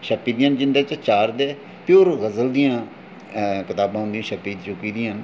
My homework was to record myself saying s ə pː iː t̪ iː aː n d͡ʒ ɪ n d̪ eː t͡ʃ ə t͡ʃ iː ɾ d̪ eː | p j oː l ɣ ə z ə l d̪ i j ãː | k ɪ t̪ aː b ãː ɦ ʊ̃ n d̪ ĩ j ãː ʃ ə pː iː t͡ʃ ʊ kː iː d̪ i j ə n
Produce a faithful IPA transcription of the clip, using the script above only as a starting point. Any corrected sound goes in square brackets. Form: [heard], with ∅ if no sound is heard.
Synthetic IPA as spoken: [ʃ] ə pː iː [d̪] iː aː n d͡ʒ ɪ n d̪ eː t͡ʃ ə t͡ʃ [aː] ɾ d̪ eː | p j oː [ɾ] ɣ ə z ə l d̪ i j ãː | k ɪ t̪ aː b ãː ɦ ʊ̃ n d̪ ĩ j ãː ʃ ə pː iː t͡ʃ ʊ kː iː d̪ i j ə n

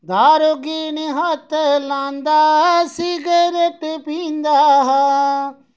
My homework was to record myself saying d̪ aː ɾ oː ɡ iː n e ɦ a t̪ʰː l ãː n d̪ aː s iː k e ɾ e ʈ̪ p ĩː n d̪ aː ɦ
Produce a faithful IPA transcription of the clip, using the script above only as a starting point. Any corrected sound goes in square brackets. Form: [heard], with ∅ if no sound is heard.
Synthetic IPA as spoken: d̪ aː ɾ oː ɡ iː n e ɦ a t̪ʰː l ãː n d̪ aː s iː [ɡ] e ɾ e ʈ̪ p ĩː n d̪ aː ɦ

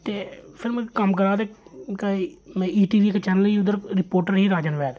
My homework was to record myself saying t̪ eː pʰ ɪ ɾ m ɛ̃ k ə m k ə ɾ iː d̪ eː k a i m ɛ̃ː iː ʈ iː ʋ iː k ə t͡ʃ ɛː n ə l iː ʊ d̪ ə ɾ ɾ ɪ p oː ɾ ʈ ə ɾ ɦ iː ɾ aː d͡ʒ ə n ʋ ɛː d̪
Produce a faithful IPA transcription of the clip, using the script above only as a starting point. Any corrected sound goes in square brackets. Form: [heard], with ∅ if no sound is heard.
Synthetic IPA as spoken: t̪ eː pʰ ɪ ɾ m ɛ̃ k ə m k ə ɾ [aː] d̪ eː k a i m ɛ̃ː iː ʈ iː ʋ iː k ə t͡ʃ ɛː n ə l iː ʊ d̪ ə ɾ ɾ ɪ p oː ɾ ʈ ə ɾ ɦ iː ɾ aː d͡ʒ ə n ʋ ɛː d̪

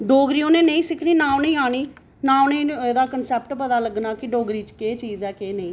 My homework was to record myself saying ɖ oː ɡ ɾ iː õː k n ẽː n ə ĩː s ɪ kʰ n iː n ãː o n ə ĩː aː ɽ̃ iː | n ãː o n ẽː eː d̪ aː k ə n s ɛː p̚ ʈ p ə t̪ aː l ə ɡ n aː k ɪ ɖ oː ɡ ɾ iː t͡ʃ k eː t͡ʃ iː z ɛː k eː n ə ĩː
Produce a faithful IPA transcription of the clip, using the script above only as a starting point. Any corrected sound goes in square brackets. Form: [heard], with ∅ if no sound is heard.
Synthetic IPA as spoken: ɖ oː ɡ ɾ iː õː [∅] n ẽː n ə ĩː s ɪ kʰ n iː n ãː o n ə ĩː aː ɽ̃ iː | n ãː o n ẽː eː d̪ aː k ə n s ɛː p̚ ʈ p ə t̪ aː l ə ɡ n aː k ɪ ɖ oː ɡ ɾ iː t͡ʃ k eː t͡ʃ iː z ɛː k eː n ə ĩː

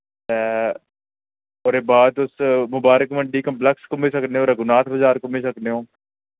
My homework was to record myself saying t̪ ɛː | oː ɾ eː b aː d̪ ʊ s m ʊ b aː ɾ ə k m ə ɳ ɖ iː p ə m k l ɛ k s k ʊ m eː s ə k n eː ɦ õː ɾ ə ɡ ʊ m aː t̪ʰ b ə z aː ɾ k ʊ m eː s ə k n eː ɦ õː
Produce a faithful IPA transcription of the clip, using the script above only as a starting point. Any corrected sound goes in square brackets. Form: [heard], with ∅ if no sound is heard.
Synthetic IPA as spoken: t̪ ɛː | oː ɾ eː b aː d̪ ʊ s m ʊ b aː ɾ ə k m ə ɳ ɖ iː [k] ə m [p] l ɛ k s k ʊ m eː s ə k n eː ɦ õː ɾ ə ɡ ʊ [n] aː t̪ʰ b ə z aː ɾ k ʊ m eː s ə k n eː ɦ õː

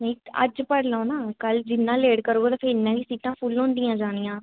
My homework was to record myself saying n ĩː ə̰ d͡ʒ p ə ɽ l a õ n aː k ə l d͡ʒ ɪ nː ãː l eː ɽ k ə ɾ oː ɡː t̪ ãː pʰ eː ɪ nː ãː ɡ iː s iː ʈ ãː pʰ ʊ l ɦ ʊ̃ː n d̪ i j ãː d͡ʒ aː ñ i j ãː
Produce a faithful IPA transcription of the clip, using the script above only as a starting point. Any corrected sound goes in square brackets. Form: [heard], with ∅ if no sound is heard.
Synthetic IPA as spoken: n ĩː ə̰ d͡ʒ p ə ɽ l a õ n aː k ə l d͡ʒ ɪ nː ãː l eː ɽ k ə ɾ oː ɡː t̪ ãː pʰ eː ɪ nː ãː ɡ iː s iː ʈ ãː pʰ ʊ l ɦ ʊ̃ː n d̪ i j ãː d͡ʒ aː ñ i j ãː

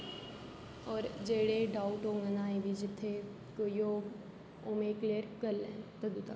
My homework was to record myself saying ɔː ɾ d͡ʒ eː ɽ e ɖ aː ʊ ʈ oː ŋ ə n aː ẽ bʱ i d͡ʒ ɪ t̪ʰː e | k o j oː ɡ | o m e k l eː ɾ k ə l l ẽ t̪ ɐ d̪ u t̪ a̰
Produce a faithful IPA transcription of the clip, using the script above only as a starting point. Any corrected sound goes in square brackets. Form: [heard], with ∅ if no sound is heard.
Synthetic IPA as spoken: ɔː ɾ d͡ʒ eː ɽ e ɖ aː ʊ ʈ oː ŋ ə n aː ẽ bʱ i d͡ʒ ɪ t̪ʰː e | k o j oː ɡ | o m e k l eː ɾ k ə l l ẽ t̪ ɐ d̪ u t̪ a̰

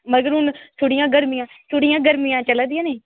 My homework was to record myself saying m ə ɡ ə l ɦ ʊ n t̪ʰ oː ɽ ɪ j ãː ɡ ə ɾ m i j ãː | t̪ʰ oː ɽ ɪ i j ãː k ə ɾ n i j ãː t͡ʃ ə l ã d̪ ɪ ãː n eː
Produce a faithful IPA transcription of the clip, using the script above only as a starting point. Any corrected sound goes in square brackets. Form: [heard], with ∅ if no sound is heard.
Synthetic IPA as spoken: m ə ɡ ə [ɾ] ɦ ʊ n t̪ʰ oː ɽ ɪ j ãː ɡ ə ɾ m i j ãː | t̪ʰ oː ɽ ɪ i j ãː [ɡ] ə ɾ [m] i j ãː t͡ʃ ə l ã d̪ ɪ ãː n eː

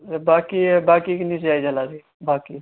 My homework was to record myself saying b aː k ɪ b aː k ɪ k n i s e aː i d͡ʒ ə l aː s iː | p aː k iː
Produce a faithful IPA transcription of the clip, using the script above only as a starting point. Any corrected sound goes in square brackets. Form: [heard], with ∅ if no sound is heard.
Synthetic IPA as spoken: b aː k [i] b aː k [i] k n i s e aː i d͡ʒ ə l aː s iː | [b] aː k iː

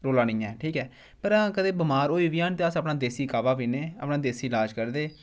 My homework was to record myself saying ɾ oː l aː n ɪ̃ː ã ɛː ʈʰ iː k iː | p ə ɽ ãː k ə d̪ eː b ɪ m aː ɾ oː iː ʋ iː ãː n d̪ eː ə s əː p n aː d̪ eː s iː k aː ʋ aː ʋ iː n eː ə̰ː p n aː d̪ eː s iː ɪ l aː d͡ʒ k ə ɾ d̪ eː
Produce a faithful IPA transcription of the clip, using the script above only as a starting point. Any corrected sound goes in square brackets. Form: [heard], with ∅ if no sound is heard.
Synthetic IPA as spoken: ɾ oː l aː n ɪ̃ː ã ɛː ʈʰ iː k [ɛː] | p ə [ɾ] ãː k ə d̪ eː b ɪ m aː ɾ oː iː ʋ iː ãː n [t̪] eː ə s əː p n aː d̪ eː s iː k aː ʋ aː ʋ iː n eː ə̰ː p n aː d̪ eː s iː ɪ l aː d͡ʒ k ə ɾ d̪ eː

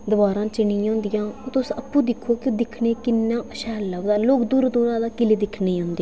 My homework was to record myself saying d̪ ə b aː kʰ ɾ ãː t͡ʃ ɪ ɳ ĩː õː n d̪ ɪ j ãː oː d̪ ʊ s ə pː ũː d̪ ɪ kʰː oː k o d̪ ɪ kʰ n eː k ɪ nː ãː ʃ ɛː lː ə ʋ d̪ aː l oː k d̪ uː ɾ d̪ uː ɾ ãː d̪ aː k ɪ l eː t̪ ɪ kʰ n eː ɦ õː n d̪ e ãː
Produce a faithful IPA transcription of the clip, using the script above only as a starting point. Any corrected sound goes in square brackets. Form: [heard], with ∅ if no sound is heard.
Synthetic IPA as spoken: d̪ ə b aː [∅] ɾ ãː t͡ʃ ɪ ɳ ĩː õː n d̪ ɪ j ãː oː [t̪] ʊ s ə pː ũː d̪ ɪ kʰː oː k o d̪ ɪ kʰ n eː k ɪ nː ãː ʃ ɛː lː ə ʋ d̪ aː l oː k d̪ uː ɾ d̪ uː ɾ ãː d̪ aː k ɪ l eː [d̪] ɪ kʰ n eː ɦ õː n d̪ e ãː

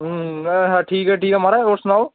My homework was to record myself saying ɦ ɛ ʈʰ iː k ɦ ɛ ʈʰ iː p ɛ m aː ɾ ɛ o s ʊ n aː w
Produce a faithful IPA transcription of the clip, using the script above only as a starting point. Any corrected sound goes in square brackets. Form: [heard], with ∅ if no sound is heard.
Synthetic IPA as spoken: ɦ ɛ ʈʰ iː k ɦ ɛ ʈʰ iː [k] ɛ m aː ɾ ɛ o s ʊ n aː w

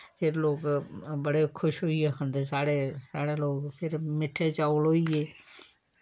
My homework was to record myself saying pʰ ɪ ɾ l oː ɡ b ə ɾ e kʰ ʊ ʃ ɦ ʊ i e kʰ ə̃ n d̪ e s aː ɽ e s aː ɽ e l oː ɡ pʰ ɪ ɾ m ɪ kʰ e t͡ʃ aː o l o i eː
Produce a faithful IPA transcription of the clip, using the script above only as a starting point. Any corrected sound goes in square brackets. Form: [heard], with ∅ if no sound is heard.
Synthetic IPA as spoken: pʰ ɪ ɾ l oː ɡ b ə [ɽ] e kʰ ʊ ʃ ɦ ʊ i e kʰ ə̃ n d̪ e s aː ɽ e s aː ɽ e l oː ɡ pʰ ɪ ɾ m ɪ [ʈʰ] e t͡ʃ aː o l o i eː

